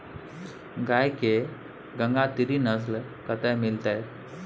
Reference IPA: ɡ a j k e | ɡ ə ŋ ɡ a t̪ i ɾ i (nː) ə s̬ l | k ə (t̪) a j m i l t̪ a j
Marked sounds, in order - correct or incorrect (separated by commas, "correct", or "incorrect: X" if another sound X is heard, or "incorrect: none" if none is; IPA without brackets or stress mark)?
incorrect: n, correct